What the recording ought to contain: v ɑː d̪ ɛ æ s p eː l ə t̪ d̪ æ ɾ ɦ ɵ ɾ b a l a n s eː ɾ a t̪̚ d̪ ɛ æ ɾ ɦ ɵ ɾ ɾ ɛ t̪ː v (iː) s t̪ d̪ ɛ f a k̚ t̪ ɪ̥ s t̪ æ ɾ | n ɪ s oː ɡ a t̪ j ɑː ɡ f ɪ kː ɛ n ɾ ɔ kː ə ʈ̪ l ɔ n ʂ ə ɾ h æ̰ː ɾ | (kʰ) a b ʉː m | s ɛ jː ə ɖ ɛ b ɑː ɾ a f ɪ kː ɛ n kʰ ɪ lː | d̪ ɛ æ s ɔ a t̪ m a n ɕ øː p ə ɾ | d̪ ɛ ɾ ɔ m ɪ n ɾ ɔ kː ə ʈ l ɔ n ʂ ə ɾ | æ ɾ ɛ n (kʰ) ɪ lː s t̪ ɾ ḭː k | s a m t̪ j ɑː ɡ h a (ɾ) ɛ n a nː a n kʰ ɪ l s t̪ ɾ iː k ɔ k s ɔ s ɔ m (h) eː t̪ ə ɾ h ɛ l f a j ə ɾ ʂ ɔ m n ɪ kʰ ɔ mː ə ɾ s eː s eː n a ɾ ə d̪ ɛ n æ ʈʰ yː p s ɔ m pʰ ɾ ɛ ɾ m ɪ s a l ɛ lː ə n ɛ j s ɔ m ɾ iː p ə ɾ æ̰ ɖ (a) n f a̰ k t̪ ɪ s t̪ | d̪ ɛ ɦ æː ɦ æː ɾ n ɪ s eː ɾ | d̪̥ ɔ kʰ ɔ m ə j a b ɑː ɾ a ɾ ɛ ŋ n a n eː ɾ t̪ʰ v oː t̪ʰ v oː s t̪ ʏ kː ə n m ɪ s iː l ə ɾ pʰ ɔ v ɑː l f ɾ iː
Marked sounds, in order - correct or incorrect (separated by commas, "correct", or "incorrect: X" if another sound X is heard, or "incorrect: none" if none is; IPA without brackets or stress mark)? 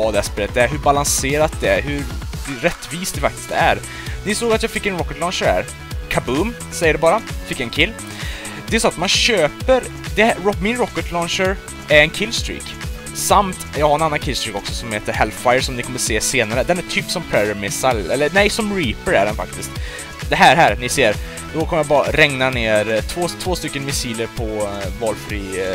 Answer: correct, correct, correct, correct, correct, incorrect: ɛ